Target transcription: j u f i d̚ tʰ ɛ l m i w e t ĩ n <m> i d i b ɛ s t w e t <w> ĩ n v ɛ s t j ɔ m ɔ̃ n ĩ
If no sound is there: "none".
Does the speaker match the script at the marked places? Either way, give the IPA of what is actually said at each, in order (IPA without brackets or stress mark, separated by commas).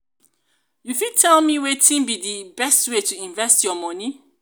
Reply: b, u